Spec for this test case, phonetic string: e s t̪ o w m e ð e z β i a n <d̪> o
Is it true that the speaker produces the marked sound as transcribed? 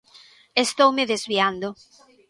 yes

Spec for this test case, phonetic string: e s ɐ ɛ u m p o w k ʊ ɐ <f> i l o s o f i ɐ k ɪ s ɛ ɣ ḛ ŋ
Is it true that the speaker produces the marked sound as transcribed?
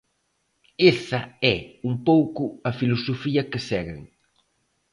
yes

